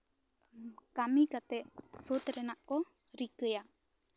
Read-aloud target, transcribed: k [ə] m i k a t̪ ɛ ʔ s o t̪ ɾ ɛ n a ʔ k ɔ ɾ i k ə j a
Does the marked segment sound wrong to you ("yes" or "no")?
yes